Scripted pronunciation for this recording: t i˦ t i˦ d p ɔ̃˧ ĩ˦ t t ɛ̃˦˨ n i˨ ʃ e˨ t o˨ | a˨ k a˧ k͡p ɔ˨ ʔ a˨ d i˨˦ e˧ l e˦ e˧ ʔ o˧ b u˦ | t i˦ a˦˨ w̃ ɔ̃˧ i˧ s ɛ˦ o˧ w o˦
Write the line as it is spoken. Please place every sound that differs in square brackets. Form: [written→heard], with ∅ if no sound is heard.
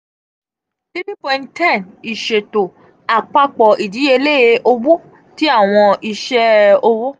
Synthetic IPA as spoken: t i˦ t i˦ [d→∅] p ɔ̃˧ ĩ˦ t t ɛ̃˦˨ n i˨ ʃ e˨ t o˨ | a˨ [k→k͡p] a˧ k͡p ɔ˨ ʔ [a˨→i˨] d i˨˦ e˧ l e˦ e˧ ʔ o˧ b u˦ | t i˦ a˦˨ w̃ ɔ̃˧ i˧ [s→ʃ] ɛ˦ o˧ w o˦

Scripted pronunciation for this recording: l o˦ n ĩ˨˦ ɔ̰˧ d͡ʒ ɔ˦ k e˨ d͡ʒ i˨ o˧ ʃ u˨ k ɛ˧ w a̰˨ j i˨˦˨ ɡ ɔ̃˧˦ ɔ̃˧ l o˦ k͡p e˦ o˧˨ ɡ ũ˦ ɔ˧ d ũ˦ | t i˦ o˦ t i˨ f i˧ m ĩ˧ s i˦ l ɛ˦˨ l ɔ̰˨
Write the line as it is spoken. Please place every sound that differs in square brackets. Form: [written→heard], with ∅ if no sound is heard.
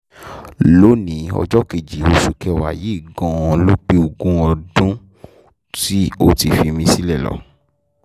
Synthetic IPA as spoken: l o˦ n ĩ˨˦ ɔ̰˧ d͡ʒ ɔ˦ k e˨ d͡ʒ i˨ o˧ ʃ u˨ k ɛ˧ w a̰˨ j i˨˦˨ ɡ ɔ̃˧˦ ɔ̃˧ l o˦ k͡p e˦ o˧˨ ɡ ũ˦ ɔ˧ d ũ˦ | t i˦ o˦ t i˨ f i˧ m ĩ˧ s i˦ l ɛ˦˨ l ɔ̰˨

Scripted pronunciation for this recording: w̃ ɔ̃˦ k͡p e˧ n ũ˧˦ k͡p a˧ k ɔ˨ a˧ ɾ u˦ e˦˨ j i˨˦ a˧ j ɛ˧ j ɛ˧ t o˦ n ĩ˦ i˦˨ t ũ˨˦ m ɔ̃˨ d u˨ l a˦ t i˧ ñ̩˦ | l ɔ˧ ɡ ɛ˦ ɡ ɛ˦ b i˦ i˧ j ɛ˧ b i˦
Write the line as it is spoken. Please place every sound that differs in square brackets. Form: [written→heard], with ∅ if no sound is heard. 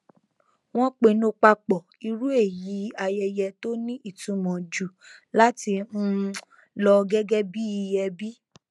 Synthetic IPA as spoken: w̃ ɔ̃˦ k͡p e˧ n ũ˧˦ k͡p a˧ [k→k͡p] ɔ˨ [a˧→i˧] ɾ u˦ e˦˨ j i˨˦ a˧ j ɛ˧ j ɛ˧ t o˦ n ĩ˦ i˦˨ t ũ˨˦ m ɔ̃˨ [d→d͡ʒ] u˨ l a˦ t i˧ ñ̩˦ | l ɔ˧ ɡ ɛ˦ ɡ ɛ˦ b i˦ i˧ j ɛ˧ b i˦

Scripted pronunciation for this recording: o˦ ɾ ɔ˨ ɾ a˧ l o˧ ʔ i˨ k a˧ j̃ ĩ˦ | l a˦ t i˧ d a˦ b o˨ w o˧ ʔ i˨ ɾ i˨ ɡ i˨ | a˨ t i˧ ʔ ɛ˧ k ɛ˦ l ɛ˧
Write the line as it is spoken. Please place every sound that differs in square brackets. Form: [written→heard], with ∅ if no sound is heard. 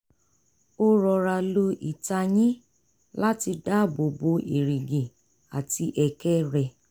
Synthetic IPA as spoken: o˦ ɾ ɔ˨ ɾ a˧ l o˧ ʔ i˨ [k→t] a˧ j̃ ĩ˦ | l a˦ t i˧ d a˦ b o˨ [w→b] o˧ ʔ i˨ ɾ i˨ ɡ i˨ | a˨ t i˧ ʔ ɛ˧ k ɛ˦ [l→ɾ] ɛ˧

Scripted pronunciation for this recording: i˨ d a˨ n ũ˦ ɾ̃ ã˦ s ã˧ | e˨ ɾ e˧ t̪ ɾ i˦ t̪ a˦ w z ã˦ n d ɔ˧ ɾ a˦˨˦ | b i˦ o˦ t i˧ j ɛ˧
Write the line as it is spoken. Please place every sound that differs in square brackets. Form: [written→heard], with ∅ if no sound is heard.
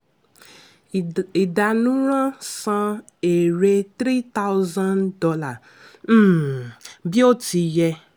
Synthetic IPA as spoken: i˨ d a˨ n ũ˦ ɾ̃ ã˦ s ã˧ | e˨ ɾ e˧ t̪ ɾ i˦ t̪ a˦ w z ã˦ n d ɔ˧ [ɾ→l] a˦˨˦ | b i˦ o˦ t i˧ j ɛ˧

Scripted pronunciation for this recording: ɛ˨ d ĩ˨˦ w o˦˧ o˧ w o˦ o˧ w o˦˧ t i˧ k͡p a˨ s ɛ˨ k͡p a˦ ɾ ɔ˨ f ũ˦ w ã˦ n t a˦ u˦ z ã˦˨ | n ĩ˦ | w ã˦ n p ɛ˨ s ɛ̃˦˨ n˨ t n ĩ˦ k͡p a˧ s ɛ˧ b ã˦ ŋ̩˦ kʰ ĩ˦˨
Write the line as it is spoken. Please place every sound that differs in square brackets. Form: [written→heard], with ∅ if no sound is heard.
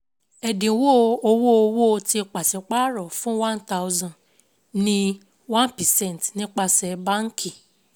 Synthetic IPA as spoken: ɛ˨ d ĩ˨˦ w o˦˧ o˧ w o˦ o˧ w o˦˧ t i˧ k͡p a˨ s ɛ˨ k͡p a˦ ɾ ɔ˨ f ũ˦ w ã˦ n t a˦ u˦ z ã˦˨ | n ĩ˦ | w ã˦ n p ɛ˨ s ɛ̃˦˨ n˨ t n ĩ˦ k͡p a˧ s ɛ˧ b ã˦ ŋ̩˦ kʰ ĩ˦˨

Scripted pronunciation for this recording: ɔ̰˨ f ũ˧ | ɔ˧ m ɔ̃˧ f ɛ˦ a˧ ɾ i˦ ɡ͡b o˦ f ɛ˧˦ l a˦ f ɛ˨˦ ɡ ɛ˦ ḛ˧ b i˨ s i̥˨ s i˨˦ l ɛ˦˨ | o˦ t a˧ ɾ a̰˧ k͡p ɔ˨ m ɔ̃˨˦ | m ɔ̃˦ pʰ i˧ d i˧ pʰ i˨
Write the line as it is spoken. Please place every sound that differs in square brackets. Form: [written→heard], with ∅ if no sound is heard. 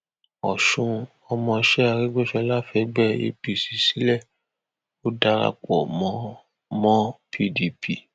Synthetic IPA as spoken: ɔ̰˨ [f→ʃ] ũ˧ | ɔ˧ m ɔ̃˧ [f→ʃ] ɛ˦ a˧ ɾ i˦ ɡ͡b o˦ [f→ʃ] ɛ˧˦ l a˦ f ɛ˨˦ [ɡ→ɡ͡b] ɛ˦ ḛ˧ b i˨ s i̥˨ s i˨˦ l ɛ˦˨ | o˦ [t→d] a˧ ɾ a̰˧ k͡p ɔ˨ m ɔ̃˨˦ | m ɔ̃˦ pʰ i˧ d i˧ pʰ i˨

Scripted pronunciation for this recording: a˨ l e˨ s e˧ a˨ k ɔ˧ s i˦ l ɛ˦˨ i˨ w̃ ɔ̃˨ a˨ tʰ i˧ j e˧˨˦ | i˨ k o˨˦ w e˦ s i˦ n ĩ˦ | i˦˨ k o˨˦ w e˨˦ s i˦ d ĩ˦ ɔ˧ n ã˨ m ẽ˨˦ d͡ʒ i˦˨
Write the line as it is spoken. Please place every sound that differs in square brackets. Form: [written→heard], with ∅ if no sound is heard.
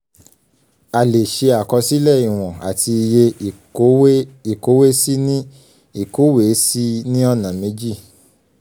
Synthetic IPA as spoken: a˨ l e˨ [s→ʃ] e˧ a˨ k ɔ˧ s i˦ l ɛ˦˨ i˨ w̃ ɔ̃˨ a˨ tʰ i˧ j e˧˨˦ | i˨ k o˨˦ w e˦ s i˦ n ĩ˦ | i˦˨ k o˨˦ w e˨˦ s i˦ [d→n] ĩ˦ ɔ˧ n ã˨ m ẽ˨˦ d͡ʒ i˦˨

